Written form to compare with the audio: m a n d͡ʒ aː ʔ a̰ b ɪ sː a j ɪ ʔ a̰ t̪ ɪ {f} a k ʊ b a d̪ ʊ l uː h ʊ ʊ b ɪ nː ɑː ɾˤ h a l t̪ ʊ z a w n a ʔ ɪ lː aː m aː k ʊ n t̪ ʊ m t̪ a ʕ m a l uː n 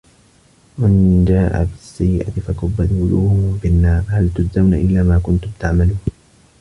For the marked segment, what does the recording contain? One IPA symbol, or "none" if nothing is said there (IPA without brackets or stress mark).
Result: f